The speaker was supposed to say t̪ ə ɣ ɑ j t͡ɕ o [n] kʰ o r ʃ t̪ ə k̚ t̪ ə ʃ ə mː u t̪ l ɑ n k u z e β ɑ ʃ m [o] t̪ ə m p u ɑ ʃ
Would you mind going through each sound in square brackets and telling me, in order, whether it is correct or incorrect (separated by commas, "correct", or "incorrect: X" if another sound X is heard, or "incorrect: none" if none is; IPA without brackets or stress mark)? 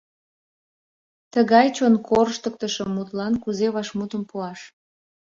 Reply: correct, incorrect: u